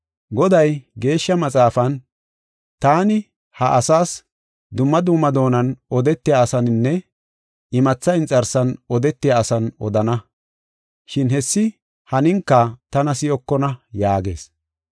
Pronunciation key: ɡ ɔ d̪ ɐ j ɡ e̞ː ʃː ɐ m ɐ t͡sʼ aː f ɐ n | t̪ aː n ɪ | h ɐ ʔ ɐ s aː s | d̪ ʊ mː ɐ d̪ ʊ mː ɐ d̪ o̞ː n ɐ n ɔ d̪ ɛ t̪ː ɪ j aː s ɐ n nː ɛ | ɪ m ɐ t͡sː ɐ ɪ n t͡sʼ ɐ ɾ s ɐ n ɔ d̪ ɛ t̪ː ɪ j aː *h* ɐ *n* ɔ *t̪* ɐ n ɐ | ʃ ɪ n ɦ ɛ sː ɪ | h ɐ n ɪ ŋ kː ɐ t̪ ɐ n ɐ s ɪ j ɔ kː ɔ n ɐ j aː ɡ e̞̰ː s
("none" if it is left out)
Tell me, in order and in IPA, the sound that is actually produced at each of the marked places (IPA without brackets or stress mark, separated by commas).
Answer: s, n, d̪